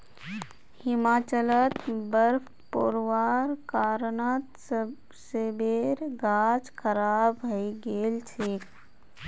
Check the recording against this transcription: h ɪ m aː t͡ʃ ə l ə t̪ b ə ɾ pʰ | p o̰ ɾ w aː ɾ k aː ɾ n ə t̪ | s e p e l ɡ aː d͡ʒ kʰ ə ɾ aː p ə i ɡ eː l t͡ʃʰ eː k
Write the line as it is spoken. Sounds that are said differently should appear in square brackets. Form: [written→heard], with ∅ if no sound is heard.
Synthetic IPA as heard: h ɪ m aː t͡ʃ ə l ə t̪ b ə ɾ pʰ | p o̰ ɾ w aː ɾ k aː ɾ n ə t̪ | s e [p→b] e [l→ɾ] ɡ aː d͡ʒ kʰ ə ɾ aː [p→b] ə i ɡ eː l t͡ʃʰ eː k